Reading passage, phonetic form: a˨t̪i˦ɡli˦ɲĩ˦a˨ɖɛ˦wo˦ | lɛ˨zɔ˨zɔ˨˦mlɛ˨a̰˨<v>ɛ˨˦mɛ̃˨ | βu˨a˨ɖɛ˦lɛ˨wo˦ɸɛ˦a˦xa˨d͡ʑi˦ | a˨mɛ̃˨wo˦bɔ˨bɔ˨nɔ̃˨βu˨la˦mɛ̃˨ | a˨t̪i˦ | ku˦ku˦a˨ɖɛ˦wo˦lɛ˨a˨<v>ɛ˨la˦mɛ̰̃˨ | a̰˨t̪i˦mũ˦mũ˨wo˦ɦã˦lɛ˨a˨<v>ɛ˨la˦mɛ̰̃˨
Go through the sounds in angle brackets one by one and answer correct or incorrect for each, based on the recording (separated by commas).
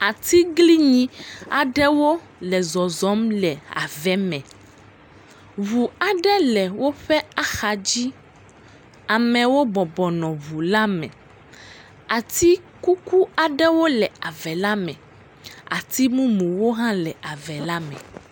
correct, correct, correct